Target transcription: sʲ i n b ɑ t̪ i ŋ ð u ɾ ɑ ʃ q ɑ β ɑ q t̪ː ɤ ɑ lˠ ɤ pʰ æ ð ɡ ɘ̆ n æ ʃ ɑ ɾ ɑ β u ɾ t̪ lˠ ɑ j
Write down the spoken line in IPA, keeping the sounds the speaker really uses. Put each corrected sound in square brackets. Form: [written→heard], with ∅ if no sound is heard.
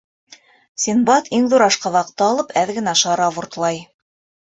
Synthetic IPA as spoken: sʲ i n b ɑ t̪ i ŋ ð u ɾ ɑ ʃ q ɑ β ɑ q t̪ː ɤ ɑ lˠ ɤ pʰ æ ð ɡ ɘ̆ n æ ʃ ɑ ɾ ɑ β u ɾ t̪ lˠ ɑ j